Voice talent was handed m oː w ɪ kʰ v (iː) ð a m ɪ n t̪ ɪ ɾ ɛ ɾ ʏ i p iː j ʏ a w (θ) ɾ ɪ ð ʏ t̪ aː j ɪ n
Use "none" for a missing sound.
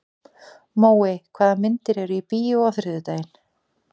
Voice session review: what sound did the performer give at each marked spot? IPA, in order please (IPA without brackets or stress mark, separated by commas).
aː, θ